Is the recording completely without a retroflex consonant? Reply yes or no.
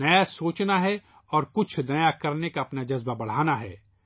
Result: no